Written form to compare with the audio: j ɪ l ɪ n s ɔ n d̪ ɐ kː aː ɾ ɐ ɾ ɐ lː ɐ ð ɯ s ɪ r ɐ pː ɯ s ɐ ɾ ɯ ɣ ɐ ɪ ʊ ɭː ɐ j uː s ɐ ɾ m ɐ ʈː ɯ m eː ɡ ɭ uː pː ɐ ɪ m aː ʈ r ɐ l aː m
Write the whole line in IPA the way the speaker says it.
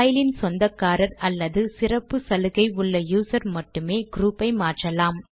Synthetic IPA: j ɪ l ɪ n s ɔ n d̪ ɐ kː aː ɾ ɐ ɾ ɐ lː ɐ ð ɯ s ɪ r ɐ pː ɯ s ɐ l ɯ ɣ ɐ ɪ ʊ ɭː ɐ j uː s ɐ ɾ m ɐ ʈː ɯ m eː ɡ ɾ uː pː ɐ ɪ m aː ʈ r ɐ l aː m